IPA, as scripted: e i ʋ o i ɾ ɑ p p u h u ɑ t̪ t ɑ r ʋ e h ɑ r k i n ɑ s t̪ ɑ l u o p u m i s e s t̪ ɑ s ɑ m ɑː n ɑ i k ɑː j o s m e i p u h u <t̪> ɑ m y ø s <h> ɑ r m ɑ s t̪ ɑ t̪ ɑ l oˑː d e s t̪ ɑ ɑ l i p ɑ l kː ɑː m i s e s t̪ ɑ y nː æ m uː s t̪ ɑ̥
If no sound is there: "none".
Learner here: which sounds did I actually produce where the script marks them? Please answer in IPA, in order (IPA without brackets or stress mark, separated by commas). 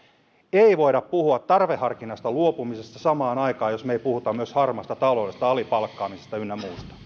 t̪, h